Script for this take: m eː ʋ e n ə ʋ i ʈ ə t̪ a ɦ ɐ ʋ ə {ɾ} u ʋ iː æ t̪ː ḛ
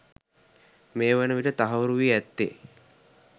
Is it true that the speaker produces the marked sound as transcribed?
yes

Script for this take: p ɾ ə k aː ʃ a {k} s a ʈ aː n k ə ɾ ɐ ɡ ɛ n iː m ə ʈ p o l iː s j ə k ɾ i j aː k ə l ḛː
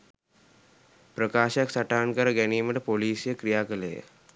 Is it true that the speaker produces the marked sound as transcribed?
yes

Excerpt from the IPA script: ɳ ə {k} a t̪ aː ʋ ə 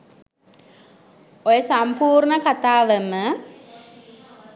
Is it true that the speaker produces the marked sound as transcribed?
yes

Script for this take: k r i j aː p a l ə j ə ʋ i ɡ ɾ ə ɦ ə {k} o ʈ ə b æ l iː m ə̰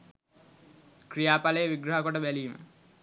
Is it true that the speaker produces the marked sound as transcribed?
yes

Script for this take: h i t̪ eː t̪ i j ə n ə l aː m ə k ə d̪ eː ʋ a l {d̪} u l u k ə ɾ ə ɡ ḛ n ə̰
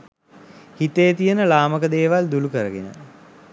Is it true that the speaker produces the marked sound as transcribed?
yes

